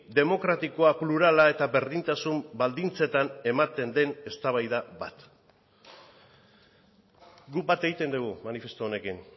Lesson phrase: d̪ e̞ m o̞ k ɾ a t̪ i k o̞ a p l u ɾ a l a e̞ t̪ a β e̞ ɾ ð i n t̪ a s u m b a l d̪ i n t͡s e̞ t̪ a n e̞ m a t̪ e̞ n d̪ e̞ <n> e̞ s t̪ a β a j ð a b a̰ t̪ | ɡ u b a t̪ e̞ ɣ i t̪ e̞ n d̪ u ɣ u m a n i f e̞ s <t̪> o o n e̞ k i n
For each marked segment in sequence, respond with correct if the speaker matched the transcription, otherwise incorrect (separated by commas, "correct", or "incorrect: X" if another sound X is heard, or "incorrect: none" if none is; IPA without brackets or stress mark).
correct, correct